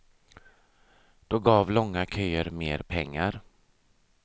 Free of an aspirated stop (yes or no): no